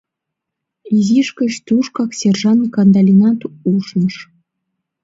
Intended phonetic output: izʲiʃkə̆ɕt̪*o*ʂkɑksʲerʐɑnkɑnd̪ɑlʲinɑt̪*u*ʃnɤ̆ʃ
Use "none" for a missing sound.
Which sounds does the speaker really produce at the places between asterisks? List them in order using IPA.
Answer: u, u

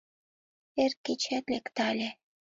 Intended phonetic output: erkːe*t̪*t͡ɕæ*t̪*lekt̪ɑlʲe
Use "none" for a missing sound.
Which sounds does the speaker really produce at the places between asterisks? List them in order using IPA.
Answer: none, t̪

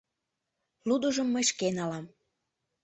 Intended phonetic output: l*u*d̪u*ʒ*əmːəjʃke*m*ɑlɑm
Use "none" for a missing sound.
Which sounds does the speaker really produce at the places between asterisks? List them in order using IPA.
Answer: u, ʒ, n

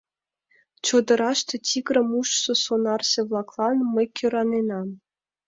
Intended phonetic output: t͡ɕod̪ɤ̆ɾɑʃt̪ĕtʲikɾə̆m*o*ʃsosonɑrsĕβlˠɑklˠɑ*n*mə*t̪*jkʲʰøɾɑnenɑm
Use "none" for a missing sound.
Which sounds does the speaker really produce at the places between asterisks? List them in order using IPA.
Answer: u, n, none

